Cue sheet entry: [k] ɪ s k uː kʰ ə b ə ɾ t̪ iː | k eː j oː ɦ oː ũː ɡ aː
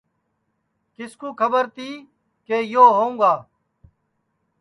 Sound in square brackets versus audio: correct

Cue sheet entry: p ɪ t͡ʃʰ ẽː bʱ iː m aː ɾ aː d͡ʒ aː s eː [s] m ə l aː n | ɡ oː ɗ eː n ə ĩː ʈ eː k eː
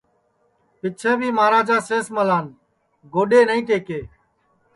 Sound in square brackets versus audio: correct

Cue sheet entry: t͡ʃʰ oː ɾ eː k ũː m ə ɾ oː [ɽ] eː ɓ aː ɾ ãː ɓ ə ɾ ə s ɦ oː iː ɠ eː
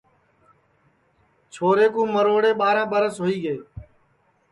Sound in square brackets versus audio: correct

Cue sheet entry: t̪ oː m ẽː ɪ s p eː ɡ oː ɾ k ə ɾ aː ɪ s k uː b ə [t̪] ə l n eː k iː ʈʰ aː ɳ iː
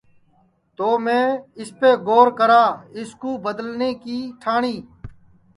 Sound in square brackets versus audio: incorrect: d̪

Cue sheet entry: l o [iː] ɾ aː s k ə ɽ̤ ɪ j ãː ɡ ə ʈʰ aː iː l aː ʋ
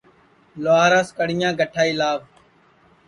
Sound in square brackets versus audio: incorrect: aː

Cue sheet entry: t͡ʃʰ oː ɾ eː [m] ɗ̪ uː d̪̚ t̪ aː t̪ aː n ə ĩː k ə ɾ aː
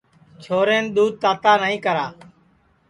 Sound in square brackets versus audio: incorrect: n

